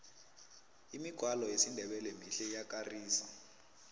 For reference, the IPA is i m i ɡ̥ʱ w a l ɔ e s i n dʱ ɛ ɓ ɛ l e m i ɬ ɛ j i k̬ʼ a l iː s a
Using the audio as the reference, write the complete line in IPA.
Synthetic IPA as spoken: i m i ɡ̥ʱ w a l ɔ e s i n dʱ ɛ ɓ ɛ l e m i ɬ ɛ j a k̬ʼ a r iː s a